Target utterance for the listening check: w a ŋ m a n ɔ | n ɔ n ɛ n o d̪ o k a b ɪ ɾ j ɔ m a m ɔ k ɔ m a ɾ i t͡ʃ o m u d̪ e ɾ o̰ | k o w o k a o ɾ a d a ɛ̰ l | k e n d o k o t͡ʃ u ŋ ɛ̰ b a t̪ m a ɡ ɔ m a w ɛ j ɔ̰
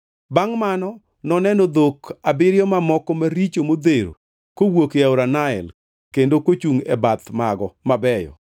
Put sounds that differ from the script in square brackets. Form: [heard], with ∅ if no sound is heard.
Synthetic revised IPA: [b] a ŋ m a n ɔ | n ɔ n ɛ n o d̪ o k a b ɪ ɾ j ɔ m a m ɔ k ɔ m a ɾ i t͡ʃ o m [o] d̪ e ɾ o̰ | k o w o k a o ɾ a [n] a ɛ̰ l | k e n d o k o t͡ʃ u ŋ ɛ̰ b a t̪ m a ɡ ɔ m a [b] ɛ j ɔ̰